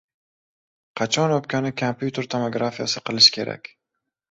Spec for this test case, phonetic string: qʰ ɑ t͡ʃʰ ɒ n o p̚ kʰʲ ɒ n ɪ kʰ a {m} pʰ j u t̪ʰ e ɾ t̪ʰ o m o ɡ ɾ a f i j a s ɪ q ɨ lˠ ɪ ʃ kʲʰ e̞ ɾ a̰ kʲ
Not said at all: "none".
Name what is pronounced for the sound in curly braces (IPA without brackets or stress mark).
m